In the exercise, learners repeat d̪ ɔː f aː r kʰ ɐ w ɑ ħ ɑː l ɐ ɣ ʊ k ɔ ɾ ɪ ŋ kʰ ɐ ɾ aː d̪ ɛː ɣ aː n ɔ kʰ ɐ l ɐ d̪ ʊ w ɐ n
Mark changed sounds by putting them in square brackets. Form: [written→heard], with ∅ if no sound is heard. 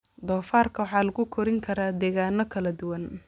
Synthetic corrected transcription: d̪ ɔː f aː r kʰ ɐ w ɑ ħ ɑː l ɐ ɣ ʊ [k→kʰ] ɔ ɾ ɪ ŋ kʰ ɐ ɾ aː d̪ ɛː ɣ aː n ɔ kʰ ɐ l ɐ d̪ ʊ w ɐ n